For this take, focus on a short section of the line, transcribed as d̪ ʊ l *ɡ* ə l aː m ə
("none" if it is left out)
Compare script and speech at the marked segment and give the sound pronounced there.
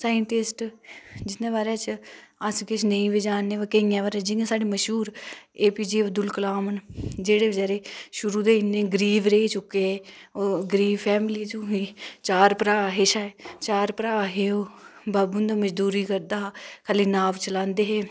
k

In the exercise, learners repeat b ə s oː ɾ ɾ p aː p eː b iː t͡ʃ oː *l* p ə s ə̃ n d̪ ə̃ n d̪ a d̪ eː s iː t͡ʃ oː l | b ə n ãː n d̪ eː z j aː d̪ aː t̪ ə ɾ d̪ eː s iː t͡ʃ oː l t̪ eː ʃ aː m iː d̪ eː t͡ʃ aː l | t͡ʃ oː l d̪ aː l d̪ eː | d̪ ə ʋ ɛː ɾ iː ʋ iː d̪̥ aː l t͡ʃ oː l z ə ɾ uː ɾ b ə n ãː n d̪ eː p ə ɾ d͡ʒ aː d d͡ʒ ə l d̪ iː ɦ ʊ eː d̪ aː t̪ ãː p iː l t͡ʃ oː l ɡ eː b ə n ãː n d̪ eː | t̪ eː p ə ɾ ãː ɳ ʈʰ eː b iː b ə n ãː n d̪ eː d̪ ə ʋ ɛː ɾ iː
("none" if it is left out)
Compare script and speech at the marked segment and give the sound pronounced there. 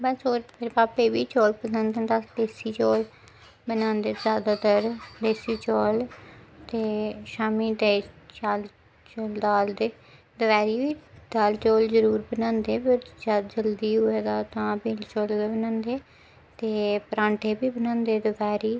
l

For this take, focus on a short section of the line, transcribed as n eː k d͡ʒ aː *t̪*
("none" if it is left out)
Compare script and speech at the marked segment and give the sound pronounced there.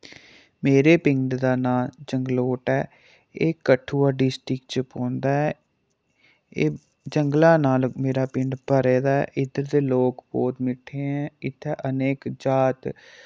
t̪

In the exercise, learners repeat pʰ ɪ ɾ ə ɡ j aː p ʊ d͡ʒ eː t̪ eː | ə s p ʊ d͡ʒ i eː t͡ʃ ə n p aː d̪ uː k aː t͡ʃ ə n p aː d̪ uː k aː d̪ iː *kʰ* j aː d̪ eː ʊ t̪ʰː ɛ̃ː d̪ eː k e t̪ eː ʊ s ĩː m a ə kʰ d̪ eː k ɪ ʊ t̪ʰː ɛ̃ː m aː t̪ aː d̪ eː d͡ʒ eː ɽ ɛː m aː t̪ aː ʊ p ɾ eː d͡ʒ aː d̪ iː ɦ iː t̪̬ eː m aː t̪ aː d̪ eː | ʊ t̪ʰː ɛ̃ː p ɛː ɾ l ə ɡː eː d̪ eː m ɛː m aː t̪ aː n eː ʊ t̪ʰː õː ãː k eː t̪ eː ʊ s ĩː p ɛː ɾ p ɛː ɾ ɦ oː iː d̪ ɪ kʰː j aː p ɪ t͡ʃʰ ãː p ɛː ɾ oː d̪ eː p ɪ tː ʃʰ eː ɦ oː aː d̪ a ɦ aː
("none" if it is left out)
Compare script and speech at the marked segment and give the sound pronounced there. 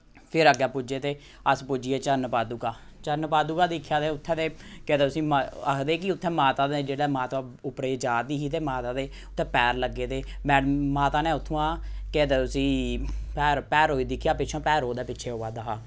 kʰ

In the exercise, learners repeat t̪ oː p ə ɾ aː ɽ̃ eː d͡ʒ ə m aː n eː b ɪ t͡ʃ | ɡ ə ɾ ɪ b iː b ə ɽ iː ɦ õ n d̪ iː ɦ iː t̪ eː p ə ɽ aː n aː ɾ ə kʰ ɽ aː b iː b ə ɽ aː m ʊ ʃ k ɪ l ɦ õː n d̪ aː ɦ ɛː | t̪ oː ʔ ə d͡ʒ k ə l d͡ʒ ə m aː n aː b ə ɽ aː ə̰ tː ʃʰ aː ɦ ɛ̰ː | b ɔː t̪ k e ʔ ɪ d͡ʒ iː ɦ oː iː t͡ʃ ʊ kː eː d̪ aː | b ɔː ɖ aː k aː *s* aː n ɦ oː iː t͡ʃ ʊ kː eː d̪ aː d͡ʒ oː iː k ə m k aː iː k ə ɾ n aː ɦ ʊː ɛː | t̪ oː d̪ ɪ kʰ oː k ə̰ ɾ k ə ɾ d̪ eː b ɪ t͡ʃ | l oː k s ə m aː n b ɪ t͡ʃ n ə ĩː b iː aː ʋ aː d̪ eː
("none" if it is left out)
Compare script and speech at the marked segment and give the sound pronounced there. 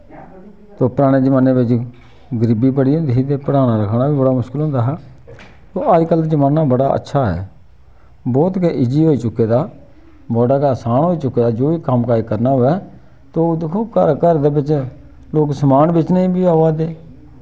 s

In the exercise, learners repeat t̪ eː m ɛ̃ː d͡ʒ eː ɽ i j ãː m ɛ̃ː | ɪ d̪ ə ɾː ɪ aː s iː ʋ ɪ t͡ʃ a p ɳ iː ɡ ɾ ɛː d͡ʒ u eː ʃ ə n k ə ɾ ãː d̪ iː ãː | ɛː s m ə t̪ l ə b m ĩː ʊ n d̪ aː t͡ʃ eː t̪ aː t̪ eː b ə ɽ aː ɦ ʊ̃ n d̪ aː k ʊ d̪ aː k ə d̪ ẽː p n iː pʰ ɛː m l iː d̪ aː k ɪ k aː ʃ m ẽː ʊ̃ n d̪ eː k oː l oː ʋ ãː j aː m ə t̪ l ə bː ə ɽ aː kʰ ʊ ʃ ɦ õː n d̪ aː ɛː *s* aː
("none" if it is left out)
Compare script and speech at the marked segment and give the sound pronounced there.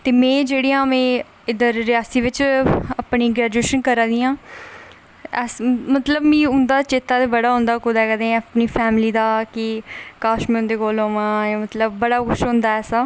s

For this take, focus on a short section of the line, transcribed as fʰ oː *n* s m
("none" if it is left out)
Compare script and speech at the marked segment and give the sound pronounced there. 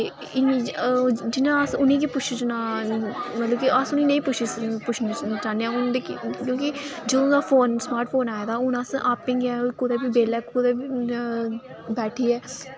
n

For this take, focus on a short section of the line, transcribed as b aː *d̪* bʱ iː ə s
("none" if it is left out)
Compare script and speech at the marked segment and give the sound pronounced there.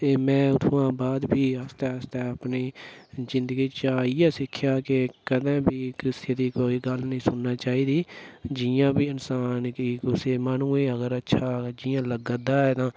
d̪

